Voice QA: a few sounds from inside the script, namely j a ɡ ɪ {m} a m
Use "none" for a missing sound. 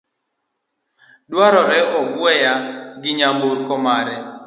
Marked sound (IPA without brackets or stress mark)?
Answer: ɲ